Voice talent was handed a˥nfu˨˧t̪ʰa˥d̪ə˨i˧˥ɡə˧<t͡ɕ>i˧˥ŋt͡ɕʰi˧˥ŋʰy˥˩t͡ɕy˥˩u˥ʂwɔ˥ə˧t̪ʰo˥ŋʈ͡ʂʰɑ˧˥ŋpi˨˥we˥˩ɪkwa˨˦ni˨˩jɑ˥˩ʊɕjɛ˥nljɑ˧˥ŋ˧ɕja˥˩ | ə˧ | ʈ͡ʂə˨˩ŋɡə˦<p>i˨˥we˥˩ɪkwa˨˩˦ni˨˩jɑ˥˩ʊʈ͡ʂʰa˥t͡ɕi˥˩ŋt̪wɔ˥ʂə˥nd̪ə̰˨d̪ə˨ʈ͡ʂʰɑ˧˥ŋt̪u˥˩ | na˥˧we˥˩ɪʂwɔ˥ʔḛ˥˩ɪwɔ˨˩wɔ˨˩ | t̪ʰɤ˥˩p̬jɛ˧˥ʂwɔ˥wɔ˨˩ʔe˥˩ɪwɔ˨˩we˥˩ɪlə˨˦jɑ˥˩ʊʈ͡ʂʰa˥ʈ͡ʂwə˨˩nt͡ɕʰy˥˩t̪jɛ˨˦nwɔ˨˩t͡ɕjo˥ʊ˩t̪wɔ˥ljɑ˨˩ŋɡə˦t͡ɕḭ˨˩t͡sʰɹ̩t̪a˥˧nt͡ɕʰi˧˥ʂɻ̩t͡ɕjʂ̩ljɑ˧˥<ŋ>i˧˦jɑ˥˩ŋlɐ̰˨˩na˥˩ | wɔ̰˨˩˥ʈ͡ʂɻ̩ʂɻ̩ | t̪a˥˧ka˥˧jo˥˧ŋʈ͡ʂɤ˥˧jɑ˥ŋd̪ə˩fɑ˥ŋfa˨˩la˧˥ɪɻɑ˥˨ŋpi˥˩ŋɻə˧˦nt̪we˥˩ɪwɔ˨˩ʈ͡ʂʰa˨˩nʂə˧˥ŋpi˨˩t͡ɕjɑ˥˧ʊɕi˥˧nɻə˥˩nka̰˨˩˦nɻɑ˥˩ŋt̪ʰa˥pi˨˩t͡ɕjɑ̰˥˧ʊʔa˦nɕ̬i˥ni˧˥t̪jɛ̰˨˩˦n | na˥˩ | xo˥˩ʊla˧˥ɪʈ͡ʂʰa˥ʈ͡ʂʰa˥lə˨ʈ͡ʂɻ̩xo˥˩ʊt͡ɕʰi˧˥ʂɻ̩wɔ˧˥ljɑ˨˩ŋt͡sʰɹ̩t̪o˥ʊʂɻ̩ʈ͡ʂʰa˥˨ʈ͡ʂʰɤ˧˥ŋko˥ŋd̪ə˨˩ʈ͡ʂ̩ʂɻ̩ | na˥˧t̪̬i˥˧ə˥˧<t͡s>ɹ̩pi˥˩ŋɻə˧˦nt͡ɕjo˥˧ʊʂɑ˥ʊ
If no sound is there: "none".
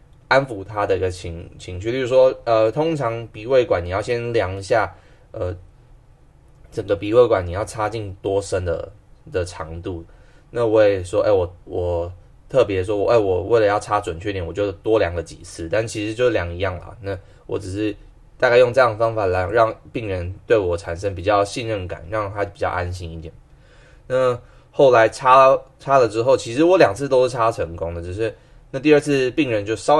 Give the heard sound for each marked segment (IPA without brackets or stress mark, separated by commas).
t͡ɕʰ, p, ŋ, t͡sʰ